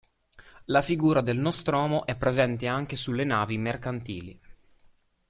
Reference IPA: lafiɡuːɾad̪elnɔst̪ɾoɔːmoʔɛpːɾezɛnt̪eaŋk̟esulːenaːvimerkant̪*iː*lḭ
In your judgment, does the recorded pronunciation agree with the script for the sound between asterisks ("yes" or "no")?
yes